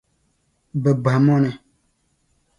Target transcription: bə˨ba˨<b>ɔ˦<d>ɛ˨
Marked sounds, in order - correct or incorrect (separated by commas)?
incorrect, incorrect